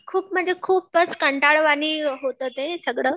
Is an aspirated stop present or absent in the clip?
present